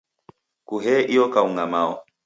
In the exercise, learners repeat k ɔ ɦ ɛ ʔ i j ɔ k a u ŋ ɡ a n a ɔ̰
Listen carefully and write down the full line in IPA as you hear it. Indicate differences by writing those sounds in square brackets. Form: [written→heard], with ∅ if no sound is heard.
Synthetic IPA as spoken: k [ɔ→u] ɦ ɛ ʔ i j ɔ k a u ŋ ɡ a [n→m] a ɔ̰